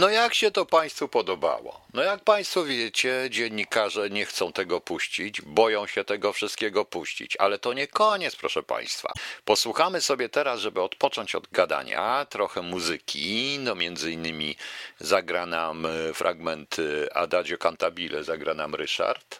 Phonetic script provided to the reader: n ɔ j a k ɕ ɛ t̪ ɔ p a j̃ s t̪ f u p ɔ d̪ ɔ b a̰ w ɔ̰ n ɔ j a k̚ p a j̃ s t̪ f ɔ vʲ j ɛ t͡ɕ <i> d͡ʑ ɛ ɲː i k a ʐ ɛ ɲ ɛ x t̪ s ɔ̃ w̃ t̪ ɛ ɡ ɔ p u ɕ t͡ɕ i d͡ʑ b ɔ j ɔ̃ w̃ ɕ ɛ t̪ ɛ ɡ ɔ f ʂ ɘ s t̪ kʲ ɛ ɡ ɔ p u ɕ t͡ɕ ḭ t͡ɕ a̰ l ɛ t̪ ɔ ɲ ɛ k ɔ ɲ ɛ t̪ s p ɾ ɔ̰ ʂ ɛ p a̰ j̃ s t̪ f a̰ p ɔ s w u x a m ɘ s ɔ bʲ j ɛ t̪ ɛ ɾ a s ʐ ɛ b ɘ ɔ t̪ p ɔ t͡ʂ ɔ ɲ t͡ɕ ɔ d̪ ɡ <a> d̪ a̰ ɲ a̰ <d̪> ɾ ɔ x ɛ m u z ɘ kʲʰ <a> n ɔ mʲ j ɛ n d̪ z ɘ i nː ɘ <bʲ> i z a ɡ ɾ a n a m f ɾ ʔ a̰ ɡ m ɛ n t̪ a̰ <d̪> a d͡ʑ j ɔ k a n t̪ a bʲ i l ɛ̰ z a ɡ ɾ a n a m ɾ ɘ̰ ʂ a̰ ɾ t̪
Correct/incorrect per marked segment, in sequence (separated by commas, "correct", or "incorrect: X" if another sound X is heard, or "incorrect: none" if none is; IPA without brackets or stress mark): incorrect: ɛ, correct, incorrect: t̪, incorrect: i, incorrect: mʲ, correct